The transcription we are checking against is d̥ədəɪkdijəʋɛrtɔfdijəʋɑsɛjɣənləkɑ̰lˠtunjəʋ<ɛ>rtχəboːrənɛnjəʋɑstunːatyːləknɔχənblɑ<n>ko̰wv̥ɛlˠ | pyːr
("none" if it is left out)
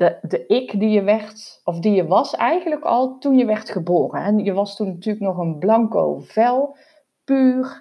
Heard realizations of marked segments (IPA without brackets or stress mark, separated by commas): ɛ, ŋ